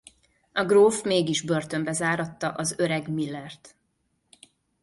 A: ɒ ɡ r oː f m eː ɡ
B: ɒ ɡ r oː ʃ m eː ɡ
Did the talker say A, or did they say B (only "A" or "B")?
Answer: A